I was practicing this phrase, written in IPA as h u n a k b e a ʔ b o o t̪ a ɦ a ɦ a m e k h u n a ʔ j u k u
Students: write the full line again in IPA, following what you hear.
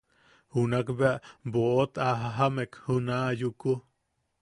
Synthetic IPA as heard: h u n a k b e a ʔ b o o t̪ a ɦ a ɦ a m e k h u n a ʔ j u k u